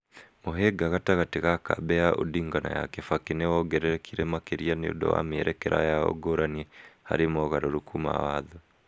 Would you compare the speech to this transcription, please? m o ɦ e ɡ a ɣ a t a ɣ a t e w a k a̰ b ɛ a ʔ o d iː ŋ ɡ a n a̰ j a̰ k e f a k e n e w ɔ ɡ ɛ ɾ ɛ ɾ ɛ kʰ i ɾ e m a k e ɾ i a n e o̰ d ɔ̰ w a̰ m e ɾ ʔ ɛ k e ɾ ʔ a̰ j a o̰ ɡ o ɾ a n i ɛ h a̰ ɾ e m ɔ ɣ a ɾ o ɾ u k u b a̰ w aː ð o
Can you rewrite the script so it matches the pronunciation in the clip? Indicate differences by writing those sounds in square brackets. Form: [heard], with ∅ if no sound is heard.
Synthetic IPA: m o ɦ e ɡ a ɣ a t a ɣ a t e [ɣ] a k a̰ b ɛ a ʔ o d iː ŋ ɡ a n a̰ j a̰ k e f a k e n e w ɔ ɡ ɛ ɾ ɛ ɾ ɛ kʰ i ɾ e m a k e ɾ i a n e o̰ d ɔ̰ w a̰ m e ɾ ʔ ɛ k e ɾ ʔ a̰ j a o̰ ɡ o ɾ a n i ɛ h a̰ ɾ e m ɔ ɣ a ɾ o ɾ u k u [m] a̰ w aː ð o